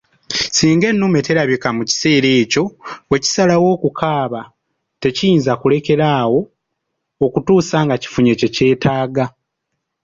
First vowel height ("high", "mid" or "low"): high